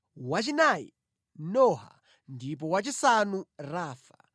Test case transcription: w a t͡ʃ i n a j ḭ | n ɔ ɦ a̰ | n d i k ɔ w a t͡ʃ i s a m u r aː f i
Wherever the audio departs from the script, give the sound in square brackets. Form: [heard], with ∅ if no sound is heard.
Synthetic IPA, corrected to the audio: w a t͡ʃ i n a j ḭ | n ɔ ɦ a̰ | n d i [p] ɔ w a t͡ʃ i s a [n] u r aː f [a]